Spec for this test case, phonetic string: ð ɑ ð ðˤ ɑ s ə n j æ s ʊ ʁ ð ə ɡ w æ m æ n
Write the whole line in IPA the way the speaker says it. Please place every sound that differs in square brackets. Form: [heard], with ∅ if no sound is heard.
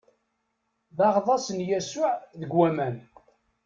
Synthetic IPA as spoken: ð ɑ [ʁ] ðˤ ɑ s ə n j æ s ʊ [ʕ] ð ə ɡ w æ m æ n